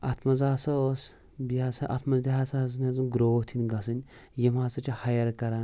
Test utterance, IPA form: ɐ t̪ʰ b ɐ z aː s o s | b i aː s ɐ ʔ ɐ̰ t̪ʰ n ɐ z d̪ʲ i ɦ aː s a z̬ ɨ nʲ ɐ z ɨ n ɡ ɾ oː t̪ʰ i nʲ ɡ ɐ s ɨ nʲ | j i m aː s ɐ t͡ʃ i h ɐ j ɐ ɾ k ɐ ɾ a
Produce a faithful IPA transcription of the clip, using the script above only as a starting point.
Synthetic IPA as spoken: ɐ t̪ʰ m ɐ z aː s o s | b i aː s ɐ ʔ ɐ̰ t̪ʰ m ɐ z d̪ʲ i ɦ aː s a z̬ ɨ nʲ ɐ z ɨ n ɡ ɾ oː t̪ʰ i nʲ ɡ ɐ s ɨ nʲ | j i m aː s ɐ t͡ʃ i h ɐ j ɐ ɾ k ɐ ɾ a